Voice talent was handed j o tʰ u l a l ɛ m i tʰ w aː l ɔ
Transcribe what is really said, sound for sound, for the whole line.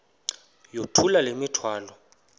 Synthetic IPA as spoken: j o tʰ u l a l e m i tʰ w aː l ɔ